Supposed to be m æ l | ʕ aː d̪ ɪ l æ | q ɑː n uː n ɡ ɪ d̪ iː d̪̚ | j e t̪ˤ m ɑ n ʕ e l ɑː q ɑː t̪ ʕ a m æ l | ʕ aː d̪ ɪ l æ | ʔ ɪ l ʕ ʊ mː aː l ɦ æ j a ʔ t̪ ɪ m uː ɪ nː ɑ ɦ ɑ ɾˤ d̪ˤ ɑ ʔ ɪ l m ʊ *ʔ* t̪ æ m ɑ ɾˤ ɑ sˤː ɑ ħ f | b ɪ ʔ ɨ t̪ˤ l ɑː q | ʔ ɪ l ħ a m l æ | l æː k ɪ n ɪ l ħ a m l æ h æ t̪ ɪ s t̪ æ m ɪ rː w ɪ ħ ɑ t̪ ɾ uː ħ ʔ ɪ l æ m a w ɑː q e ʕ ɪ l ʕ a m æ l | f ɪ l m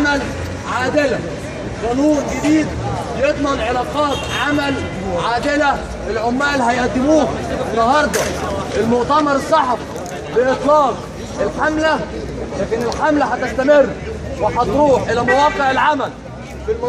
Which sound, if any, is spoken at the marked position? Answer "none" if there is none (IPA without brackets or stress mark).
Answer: ʔ